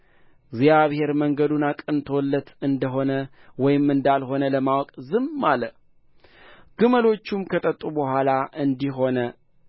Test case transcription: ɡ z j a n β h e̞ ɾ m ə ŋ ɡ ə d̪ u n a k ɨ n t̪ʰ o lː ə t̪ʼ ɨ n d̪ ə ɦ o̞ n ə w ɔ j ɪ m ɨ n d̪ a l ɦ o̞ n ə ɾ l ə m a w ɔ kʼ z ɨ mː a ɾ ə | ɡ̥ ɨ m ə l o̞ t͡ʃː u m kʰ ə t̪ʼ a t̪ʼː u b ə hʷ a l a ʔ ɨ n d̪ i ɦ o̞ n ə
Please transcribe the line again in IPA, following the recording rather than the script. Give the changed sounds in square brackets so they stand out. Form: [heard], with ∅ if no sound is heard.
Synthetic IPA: ɡ z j a [∅] β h e̞ ɾ m ə ŋ ɡ ə d̪ u n a [kʼ] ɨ n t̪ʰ o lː ə [t̪] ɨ n d̪ ə ɦ o̞ n ə w ɔ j ɪ m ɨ n d̪ a l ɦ o̞ n ə [∅] l ə m a w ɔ kʼ z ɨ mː a [l] ə | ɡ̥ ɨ m ə l o̞ t͡ʃː u m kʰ ə t̪ʼ [ə] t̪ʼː u b ə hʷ a l a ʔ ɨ n d̪ i ɦ o̞ n ə